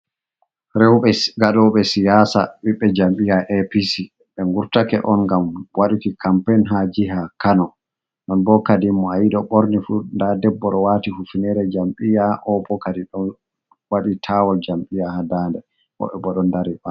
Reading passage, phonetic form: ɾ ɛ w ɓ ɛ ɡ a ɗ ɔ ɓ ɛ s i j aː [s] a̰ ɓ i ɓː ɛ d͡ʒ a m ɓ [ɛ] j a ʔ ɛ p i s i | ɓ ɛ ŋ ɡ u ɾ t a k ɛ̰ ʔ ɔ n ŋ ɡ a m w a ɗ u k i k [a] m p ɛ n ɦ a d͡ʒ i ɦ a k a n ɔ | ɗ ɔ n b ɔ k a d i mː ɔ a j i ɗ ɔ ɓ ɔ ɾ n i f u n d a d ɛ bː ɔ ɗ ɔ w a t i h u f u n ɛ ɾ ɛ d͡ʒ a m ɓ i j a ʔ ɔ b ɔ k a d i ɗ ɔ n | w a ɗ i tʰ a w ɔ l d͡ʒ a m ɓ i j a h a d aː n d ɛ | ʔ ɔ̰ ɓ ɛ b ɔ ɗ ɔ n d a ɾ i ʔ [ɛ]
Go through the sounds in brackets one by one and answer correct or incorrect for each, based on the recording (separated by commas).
correct, incorrect, correct, incorrect